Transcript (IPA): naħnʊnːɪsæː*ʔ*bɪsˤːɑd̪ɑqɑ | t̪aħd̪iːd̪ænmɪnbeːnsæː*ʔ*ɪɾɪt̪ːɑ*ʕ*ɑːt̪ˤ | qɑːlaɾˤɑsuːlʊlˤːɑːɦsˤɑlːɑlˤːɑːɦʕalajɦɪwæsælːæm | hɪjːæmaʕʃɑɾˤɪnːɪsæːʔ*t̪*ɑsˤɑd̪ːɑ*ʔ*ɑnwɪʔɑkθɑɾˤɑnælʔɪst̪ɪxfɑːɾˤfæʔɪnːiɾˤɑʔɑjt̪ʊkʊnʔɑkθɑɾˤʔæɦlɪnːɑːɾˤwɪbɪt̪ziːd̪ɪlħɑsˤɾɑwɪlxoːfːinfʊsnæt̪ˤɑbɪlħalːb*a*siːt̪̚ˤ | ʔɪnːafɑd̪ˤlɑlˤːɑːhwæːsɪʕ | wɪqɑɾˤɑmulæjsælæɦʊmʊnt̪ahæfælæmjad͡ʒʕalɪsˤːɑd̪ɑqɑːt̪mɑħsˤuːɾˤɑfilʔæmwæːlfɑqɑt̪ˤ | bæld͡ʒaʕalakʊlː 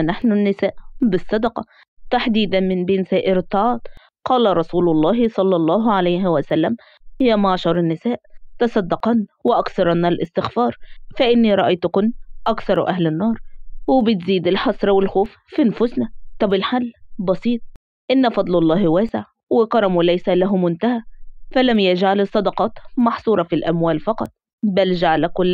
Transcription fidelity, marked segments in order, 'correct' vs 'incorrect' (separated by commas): correct, correct, correct, correct, incorrect, incorrect